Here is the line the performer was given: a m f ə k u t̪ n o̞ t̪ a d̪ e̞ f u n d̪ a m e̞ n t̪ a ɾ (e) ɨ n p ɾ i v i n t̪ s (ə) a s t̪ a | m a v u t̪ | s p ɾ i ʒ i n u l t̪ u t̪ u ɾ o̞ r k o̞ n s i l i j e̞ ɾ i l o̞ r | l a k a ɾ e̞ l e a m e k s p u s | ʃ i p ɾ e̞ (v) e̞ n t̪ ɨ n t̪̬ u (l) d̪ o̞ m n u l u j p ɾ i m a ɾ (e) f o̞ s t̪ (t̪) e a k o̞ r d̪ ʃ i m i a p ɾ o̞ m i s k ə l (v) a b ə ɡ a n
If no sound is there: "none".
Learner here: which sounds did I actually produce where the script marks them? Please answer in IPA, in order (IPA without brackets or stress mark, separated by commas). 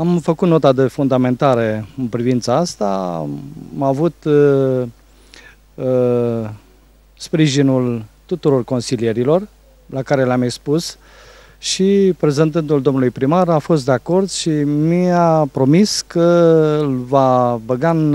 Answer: e, a, z, l, a, d̪, v